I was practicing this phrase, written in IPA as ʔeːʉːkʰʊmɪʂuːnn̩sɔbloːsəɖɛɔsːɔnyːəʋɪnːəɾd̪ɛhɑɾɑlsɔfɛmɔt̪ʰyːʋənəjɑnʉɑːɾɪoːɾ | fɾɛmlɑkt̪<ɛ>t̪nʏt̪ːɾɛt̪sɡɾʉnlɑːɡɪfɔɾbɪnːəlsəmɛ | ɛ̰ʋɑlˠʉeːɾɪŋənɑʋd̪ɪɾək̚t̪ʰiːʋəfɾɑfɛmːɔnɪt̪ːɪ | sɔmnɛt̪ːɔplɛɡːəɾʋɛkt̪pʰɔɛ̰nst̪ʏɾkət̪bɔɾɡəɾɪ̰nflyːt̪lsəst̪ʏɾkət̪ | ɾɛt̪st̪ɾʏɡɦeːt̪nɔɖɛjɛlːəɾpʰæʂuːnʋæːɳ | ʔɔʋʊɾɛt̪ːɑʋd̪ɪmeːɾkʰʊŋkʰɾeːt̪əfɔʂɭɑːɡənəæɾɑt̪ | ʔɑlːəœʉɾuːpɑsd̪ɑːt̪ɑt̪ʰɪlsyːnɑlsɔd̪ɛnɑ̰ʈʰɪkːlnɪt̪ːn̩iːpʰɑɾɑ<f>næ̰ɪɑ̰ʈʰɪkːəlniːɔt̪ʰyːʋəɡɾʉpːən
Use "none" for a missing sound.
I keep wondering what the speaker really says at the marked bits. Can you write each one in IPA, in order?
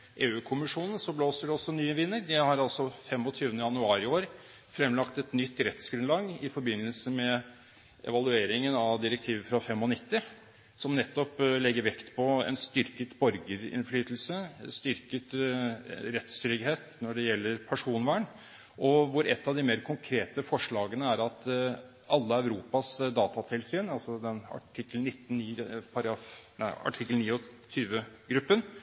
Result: ɛ, f

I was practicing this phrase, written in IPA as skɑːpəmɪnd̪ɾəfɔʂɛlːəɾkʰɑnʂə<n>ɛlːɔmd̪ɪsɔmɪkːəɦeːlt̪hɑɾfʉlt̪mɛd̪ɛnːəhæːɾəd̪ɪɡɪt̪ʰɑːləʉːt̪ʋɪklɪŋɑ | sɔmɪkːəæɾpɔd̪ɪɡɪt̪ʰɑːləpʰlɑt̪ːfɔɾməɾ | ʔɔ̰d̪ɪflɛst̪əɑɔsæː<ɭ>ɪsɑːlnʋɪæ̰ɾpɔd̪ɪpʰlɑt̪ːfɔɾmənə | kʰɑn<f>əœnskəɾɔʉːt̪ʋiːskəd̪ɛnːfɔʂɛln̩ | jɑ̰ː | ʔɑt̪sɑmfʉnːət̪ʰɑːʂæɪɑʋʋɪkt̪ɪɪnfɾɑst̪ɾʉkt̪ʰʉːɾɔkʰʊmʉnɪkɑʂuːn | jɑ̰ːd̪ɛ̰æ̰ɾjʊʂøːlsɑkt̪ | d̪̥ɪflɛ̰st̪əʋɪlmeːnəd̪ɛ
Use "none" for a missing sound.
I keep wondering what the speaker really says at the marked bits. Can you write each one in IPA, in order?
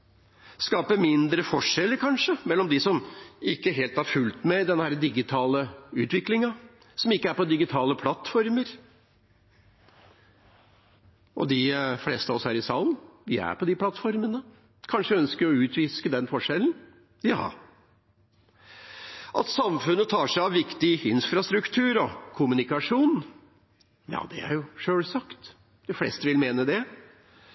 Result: m, ɾ, ʂ

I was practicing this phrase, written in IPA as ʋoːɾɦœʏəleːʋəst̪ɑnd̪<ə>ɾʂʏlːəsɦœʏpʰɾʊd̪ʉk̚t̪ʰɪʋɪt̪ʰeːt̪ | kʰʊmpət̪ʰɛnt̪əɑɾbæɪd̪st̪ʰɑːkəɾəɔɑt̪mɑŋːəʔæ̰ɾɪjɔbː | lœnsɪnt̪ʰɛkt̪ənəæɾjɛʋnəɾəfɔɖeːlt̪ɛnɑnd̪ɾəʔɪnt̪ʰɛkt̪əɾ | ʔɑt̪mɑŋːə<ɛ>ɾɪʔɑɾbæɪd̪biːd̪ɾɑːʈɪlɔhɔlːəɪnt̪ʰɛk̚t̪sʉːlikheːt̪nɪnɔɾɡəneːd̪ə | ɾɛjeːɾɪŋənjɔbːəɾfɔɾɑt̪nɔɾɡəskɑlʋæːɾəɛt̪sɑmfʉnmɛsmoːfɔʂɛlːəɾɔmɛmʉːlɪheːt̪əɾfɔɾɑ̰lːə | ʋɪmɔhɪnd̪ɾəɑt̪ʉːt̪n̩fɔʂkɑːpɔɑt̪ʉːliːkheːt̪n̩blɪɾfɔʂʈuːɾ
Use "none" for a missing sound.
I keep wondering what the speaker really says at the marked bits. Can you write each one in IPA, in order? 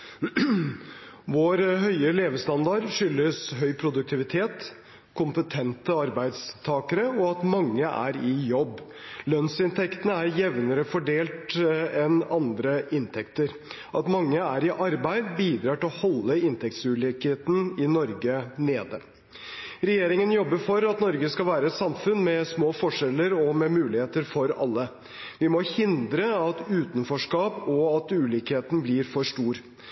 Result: ɑ, æ

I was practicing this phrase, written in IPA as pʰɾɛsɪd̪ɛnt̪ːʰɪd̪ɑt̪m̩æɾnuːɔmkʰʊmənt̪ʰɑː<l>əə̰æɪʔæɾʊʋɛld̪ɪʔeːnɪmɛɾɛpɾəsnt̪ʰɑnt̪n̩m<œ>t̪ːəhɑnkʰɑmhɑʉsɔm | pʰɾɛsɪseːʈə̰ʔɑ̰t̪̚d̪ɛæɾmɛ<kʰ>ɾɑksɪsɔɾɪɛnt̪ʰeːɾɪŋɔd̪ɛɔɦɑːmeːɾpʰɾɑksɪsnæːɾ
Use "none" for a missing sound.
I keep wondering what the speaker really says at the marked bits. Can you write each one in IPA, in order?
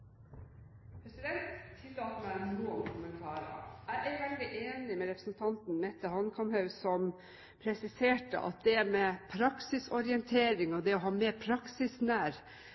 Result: ɾ, ɛ, pʰ

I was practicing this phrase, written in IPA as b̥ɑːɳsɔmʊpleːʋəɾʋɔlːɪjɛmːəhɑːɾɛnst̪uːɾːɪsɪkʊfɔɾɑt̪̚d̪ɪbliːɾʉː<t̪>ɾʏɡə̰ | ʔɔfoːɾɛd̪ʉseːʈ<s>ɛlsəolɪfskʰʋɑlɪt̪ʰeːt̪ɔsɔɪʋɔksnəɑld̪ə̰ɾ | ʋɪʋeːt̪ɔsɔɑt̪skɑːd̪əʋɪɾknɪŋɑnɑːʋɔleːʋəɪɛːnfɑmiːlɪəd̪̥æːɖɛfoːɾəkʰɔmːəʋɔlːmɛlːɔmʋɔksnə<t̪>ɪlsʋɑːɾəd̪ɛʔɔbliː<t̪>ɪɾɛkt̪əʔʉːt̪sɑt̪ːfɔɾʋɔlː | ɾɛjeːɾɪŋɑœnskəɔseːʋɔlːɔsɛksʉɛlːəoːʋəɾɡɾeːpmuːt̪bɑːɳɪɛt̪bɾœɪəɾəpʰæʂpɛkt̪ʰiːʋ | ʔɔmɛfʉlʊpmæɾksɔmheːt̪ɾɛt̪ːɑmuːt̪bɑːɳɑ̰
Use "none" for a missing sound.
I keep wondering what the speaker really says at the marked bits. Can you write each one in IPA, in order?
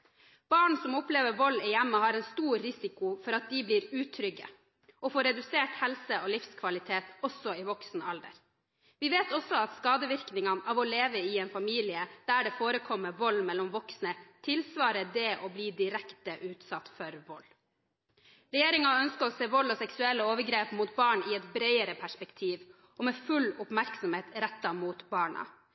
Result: t̪ʰ, h, t̪ʰ, d̪

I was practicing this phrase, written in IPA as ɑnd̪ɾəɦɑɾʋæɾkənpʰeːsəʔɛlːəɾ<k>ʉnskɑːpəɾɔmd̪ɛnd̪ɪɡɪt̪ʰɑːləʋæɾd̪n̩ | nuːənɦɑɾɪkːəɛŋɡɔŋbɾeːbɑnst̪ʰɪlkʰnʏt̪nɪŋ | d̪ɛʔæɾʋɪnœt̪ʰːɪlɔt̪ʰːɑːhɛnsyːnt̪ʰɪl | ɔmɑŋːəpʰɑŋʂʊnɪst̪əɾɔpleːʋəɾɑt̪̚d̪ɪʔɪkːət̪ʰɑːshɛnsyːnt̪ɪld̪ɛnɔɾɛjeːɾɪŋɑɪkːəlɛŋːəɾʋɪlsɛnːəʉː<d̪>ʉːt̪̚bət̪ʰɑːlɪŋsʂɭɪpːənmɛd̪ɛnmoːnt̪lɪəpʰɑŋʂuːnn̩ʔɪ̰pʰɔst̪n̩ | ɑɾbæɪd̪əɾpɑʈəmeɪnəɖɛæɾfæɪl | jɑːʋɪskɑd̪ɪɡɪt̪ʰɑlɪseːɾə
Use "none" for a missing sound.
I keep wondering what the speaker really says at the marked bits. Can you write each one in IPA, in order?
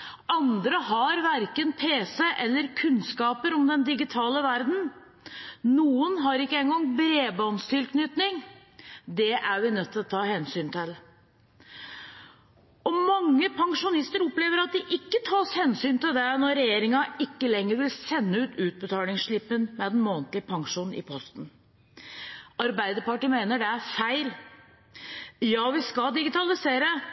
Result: kʰ, t̪

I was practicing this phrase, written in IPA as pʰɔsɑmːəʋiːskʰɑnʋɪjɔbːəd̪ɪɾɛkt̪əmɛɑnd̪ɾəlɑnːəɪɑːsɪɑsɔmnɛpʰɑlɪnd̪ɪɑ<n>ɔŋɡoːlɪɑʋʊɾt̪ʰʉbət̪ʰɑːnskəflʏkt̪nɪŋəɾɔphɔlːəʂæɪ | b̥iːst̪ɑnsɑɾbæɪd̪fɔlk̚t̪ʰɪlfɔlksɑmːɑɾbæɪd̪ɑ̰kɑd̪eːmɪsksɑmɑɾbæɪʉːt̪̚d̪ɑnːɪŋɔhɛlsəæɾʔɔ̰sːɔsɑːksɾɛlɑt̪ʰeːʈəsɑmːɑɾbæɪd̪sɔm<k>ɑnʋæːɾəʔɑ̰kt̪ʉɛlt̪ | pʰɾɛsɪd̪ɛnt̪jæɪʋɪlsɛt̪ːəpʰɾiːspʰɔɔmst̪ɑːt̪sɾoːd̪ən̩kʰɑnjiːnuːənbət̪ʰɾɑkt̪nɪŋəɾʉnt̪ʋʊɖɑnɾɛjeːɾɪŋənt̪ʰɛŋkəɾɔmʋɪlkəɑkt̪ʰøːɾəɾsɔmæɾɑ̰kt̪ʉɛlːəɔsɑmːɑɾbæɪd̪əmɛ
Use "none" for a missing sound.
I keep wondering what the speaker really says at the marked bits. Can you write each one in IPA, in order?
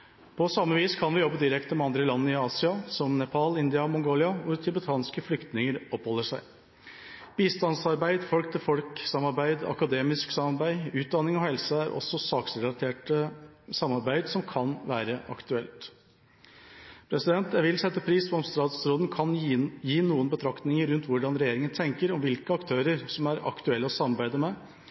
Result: m, kʰ

